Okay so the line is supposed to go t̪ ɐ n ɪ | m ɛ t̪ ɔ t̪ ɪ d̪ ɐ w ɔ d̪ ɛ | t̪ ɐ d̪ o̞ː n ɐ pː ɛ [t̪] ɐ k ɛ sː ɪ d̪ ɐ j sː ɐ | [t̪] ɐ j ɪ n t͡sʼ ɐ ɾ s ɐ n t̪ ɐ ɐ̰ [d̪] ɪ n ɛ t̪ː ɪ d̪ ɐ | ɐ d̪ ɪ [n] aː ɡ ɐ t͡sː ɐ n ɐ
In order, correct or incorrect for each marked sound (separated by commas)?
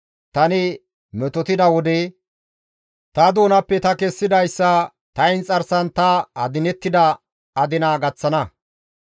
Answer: correct, correct, correct, correct